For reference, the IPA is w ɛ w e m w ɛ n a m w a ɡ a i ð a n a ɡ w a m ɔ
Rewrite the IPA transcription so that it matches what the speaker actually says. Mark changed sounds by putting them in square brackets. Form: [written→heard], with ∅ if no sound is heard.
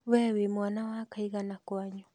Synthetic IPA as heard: w ɛ w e m w [ɛ→a] n a [m→∅] w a [ɡ→k] a i [ð→ɣ] a n a [ɡ→k] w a [m→ɲ] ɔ